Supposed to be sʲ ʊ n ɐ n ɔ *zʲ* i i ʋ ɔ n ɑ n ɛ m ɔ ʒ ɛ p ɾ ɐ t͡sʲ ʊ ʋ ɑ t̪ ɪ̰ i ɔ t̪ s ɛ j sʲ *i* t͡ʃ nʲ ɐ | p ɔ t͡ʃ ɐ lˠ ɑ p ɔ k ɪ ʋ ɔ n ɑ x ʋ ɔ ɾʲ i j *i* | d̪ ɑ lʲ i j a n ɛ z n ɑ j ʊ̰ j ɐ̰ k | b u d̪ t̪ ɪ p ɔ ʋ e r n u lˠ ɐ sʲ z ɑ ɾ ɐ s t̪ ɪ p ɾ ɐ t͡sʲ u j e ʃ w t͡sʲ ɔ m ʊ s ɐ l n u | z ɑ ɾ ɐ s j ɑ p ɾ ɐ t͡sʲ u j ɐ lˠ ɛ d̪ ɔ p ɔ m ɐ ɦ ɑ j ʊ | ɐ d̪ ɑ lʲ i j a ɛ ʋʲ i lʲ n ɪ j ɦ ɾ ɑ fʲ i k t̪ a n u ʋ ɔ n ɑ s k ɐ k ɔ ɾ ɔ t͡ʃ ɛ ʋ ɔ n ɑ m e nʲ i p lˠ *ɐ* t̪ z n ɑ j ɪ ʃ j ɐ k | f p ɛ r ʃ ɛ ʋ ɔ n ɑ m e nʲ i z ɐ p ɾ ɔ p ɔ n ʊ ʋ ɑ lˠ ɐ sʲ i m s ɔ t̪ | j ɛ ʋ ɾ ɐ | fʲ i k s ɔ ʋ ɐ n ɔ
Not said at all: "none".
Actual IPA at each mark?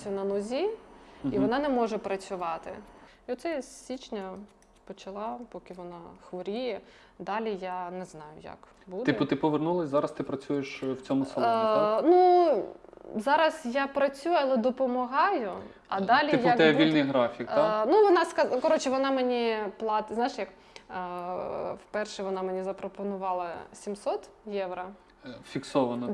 zʲ, i, ɛ, ɑ

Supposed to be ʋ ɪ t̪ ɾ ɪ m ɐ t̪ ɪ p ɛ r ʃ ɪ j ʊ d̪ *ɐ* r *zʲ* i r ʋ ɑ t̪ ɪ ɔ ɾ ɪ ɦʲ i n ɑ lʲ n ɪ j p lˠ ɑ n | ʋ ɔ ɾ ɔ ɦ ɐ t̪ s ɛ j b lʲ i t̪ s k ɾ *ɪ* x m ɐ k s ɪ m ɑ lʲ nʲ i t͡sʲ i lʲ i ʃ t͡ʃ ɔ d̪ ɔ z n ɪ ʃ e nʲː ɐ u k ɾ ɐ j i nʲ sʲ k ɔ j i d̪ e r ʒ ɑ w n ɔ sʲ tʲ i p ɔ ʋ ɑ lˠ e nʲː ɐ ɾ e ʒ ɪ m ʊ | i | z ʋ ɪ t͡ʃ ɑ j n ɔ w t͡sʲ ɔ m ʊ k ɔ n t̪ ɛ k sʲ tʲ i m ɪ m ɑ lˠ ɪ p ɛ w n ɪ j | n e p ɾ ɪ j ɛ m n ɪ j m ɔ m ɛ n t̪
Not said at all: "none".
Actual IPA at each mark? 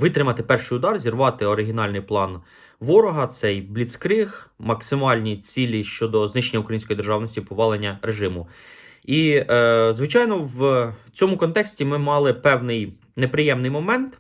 ɑ, zʲ, ɪ

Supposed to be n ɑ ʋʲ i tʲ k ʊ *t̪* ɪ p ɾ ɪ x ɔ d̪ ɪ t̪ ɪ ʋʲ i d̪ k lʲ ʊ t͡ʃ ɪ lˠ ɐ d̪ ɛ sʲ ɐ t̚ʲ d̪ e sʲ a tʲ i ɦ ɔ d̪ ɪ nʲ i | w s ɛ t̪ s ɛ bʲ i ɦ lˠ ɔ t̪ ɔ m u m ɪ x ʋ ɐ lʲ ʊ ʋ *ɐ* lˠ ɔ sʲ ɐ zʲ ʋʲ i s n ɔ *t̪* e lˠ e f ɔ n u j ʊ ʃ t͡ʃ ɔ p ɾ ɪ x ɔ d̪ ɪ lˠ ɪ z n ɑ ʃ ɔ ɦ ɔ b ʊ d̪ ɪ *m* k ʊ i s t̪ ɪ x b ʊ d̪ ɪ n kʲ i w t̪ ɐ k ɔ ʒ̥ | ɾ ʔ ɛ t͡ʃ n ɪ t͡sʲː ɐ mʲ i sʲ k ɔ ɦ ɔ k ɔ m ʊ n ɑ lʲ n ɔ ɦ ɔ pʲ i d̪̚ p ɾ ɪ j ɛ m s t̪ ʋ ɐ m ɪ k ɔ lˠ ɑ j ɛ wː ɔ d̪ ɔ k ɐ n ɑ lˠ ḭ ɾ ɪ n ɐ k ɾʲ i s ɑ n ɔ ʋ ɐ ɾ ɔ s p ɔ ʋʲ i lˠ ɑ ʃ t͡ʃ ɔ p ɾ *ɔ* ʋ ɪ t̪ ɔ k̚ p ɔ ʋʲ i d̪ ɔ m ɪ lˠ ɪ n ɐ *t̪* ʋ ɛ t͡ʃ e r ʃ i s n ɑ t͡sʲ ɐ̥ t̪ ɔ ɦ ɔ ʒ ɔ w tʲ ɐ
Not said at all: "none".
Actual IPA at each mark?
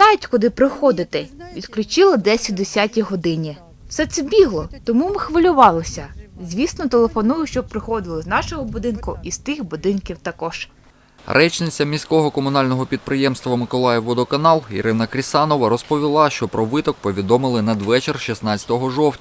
d̪, ɑ, t̪, n, ɔ, d̪

